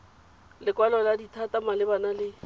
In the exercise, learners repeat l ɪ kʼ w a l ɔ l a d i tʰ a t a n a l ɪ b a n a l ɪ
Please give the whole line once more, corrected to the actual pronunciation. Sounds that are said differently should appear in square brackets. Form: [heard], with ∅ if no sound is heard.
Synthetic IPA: l ɪ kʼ w a l ɔ l a d i tʰ a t a [m] a l ɪ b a n a l ɪ